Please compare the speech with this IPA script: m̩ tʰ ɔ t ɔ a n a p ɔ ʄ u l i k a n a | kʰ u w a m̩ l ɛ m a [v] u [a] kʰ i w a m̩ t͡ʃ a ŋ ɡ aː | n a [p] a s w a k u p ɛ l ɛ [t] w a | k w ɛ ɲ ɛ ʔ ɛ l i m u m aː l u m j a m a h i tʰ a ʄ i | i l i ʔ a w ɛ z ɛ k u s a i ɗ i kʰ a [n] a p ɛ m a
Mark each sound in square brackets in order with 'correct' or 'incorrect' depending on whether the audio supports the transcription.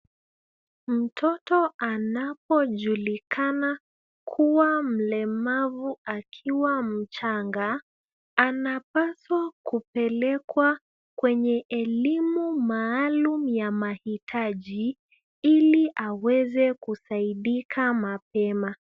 correct, correct, correct, incorrect, incorrect

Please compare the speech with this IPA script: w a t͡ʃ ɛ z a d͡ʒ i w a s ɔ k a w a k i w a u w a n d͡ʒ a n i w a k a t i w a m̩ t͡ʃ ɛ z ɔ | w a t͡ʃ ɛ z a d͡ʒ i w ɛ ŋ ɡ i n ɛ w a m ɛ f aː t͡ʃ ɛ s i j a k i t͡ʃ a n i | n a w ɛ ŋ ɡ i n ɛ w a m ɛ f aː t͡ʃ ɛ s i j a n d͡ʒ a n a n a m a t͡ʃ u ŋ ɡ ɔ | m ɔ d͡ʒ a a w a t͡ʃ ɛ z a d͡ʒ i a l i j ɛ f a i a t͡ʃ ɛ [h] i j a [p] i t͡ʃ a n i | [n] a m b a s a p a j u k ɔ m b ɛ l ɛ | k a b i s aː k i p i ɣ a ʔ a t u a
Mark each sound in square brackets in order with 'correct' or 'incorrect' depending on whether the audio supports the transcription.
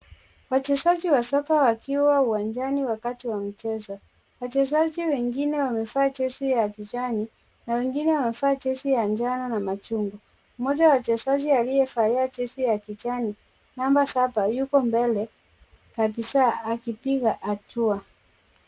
incorrect, incorrect, correct

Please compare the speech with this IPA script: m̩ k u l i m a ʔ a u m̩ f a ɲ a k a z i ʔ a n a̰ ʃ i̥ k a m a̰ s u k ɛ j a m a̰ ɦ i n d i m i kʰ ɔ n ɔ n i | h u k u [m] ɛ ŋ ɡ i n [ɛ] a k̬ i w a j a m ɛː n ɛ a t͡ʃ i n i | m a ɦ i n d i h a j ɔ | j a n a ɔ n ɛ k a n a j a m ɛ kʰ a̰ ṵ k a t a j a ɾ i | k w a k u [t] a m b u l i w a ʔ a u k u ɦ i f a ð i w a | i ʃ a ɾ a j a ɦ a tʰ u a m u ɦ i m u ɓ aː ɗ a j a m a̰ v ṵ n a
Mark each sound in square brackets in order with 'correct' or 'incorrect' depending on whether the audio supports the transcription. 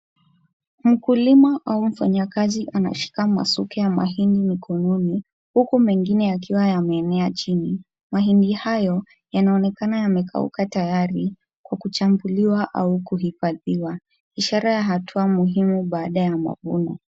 correct, correct, incorrect

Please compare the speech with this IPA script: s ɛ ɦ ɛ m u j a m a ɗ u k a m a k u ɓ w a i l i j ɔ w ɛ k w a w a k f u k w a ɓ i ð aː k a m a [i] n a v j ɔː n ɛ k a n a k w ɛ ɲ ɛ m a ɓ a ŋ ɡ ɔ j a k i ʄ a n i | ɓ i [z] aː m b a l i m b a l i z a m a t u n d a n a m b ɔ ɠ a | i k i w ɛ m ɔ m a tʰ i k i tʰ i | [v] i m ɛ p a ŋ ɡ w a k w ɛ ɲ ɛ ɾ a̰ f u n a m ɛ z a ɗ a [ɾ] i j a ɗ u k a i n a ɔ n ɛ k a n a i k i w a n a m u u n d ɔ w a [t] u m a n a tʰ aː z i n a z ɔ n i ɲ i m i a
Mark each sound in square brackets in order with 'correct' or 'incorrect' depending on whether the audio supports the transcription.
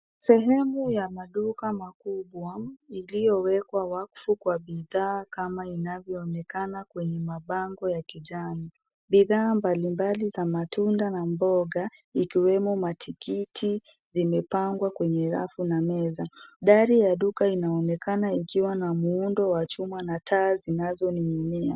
correct, incorrect, incorrect, correct, incorrect

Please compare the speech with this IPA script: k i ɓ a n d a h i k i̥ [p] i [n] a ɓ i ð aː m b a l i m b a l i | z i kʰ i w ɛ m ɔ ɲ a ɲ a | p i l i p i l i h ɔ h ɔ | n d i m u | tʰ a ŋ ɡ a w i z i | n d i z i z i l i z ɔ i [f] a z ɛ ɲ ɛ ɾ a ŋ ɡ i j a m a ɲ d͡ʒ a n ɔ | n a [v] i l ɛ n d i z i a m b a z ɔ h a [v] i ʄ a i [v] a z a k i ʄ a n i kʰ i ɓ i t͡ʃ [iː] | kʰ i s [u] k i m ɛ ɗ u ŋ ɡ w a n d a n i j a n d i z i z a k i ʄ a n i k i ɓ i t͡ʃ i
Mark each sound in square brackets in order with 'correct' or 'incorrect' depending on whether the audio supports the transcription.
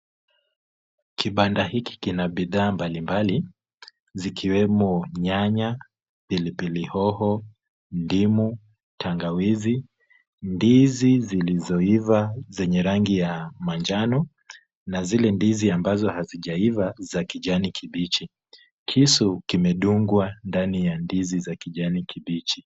incorrect, correct, incorrect, incorrect, incorrect, correct, incorrect, correct

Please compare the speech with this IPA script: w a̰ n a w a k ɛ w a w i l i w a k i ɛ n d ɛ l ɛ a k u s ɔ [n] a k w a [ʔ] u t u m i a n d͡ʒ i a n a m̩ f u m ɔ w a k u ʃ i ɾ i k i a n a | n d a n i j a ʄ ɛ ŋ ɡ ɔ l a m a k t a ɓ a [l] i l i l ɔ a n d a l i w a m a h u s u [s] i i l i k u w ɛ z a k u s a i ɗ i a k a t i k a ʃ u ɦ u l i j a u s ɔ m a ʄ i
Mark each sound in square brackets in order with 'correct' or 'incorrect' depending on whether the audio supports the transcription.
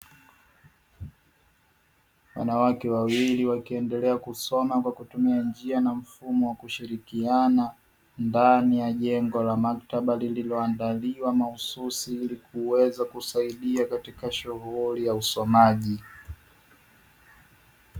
incorrect, incorrect, correct, correct

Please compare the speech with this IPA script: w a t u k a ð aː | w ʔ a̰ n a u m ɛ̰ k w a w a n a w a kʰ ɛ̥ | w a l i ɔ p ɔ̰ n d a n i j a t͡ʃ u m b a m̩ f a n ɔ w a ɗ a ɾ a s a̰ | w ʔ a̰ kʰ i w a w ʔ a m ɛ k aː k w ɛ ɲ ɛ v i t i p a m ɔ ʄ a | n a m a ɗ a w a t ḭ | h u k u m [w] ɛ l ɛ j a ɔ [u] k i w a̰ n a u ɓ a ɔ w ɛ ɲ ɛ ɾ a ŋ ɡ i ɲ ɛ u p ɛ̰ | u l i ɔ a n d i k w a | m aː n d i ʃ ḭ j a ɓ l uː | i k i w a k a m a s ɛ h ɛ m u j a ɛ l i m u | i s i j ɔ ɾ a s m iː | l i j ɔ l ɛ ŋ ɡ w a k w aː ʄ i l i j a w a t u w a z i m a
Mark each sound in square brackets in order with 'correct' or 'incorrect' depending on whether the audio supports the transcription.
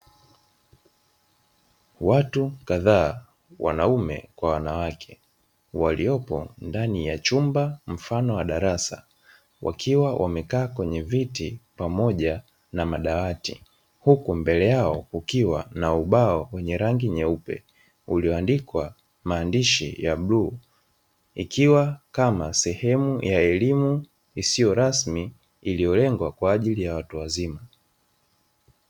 incorrect, correct

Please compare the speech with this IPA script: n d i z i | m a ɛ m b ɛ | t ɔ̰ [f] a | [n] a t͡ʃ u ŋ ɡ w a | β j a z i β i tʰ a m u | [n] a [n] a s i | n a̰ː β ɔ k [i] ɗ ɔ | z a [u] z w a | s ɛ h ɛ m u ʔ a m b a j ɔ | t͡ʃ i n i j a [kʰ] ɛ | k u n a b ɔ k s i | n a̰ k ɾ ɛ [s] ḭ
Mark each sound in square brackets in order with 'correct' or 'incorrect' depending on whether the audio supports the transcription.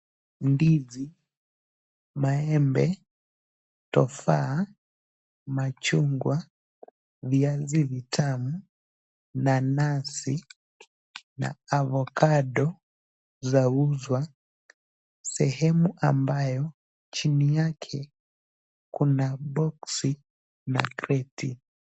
correct, incorrect, correct, correct, incorrect, correct, correct, incorrect

